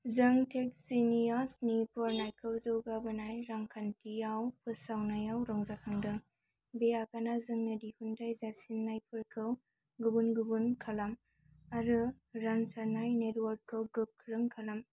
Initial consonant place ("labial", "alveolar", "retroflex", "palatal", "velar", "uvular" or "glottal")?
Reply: alveolar